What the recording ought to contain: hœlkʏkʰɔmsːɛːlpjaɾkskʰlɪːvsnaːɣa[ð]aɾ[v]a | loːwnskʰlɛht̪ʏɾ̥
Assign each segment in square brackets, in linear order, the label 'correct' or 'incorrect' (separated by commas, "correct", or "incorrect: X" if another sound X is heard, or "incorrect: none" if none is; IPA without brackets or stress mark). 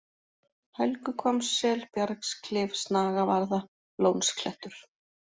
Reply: incorrect: v, incorrect: ð